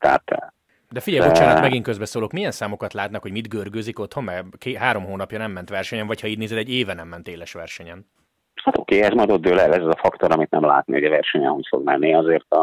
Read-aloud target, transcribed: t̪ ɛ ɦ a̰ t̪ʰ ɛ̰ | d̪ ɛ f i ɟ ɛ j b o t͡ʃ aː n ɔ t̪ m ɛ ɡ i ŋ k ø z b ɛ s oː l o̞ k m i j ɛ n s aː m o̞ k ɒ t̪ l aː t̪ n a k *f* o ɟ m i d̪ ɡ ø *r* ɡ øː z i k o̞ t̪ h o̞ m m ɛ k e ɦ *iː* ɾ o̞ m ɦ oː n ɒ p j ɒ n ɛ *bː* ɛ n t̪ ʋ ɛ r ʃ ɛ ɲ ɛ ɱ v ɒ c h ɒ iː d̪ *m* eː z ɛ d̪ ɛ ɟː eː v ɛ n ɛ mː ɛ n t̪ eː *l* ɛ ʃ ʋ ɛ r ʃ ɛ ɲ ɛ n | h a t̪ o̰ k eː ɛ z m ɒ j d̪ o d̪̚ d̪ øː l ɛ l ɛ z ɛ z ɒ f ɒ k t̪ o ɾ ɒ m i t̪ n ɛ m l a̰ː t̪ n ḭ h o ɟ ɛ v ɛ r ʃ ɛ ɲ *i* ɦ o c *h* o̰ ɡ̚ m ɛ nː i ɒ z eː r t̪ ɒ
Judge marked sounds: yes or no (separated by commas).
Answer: no, yes, no, no, no, yes, no, no